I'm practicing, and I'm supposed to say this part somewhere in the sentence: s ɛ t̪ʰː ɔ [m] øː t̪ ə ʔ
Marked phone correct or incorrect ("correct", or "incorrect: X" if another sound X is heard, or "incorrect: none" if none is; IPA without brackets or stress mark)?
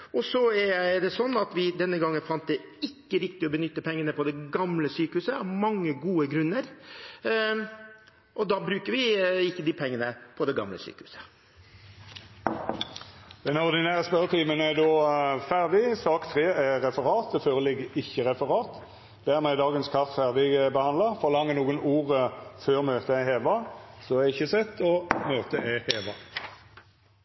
correct